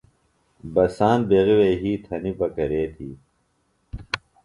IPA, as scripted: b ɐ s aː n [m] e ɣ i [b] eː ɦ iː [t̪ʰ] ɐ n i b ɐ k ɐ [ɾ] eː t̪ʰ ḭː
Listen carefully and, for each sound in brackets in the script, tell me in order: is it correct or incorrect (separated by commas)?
incorrect, incorrect, correct, correct